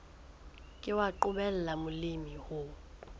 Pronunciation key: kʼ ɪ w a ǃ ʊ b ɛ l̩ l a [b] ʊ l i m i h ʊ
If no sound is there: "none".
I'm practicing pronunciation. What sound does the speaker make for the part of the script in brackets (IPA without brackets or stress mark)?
m